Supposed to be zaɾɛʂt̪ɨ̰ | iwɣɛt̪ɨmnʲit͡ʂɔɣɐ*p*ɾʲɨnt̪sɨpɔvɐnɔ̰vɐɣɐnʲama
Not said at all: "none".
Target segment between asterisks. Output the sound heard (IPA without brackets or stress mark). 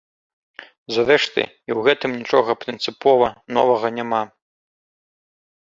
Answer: p